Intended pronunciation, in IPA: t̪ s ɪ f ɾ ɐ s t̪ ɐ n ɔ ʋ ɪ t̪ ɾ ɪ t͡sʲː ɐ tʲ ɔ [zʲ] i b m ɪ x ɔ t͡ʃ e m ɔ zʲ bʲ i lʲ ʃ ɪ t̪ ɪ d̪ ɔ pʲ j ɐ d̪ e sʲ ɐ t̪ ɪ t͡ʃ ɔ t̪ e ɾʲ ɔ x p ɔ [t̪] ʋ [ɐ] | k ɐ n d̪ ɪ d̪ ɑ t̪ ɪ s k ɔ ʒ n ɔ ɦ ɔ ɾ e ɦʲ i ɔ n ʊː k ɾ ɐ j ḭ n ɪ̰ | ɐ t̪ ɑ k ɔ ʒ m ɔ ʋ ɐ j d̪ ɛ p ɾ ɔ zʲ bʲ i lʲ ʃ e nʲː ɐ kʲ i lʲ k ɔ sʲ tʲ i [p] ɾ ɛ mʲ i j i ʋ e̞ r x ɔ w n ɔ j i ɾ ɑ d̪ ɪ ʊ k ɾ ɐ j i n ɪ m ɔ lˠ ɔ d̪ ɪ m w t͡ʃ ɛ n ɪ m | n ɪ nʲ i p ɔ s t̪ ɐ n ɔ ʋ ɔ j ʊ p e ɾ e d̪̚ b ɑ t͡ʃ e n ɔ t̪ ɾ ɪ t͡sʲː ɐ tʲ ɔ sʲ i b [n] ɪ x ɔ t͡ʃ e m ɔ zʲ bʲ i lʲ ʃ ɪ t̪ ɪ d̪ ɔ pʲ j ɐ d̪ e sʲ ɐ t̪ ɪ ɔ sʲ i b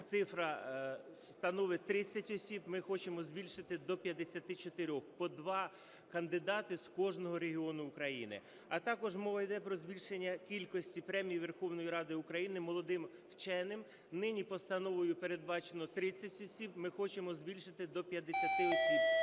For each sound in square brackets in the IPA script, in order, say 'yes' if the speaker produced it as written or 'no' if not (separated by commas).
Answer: no, no, no, yes, no